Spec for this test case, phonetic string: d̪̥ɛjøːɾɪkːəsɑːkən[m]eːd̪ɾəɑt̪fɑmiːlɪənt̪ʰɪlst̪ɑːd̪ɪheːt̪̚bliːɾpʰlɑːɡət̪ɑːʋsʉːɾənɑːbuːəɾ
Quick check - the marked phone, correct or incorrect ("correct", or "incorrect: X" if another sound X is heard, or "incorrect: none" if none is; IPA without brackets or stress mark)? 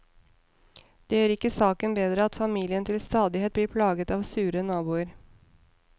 incorrect: b